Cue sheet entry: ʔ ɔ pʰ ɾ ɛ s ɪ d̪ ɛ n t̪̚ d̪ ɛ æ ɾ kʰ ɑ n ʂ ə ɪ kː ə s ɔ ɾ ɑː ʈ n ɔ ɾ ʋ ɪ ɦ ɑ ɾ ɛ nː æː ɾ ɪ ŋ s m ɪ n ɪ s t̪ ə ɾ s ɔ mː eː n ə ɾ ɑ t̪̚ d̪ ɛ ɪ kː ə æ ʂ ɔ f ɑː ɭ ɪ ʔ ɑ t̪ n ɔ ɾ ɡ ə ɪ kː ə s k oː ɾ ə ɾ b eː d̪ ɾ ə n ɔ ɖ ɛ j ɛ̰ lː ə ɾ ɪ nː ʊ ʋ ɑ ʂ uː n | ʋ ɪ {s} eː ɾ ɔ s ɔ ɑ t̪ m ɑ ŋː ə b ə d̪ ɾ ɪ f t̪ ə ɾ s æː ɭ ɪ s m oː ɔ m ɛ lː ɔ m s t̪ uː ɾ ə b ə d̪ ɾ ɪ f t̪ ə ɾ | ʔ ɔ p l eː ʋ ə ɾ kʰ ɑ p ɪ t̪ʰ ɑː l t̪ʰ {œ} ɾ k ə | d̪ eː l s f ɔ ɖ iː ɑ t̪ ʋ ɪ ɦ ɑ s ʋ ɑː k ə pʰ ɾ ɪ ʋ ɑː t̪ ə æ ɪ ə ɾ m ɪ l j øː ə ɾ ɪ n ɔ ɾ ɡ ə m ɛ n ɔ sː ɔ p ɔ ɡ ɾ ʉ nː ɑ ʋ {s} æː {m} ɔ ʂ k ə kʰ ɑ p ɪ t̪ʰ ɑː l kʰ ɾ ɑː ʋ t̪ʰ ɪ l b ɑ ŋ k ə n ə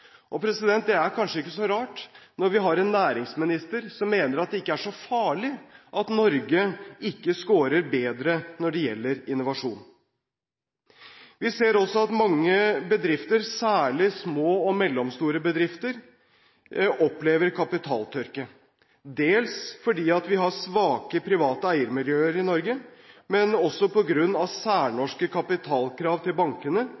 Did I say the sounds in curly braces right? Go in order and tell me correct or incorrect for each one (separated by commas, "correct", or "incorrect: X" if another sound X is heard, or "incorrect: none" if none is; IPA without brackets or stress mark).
correct, correct, correct, incorrect: ɳ